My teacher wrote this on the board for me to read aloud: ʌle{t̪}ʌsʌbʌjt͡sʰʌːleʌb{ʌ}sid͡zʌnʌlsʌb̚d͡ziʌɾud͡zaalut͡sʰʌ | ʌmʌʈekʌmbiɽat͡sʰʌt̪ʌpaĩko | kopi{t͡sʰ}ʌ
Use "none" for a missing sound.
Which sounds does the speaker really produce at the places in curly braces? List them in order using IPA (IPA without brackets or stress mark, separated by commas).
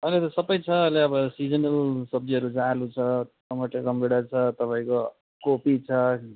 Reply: t̪, ʌ, t͡sʰ